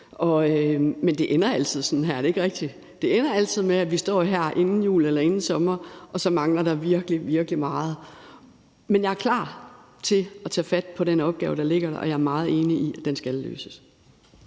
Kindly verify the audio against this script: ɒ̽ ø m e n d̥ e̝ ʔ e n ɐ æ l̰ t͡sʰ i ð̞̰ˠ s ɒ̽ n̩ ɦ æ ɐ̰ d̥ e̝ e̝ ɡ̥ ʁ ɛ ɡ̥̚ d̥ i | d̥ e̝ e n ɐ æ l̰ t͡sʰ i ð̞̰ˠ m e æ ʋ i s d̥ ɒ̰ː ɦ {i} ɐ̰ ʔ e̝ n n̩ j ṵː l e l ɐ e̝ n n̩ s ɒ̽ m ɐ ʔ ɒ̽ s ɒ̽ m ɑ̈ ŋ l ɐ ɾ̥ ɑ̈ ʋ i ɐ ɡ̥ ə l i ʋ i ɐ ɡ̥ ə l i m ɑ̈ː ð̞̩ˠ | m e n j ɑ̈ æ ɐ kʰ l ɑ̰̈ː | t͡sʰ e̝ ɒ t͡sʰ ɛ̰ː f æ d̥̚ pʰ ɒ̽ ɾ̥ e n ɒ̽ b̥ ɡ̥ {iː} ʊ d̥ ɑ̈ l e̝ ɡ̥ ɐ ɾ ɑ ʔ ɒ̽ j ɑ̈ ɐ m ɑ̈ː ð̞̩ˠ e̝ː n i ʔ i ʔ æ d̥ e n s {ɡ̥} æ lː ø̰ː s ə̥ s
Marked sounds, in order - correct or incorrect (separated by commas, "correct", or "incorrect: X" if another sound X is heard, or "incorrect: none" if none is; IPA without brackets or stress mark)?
incorrect: æ, incorrect: ɛː, correct